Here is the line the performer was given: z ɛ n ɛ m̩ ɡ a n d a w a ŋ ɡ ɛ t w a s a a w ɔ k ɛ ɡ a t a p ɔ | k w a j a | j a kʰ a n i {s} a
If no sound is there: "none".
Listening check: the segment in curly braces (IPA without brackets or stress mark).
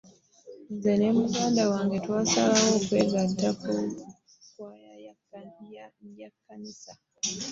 s